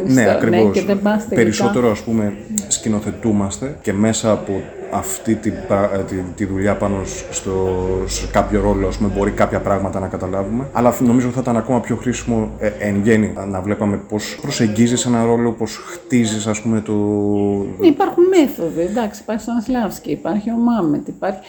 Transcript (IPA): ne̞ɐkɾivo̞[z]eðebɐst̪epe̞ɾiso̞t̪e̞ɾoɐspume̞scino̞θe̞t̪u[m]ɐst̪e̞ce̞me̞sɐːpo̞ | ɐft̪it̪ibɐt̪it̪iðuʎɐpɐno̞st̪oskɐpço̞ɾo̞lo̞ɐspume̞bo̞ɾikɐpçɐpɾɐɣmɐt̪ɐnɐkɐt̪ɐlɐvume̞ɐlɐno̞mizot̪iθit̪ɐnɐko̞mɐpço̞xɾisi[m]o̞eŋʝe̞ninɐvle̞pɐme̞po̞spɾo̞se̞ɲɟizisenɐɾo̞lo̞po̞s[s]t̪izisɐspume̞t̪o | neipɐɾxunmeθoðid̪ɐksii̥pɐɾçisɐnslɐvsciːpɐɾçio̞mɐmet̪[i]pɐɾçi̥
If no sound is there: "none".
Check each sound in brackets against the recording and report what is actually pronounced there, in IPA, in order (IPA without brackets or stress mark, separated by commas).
s, m, m, x, i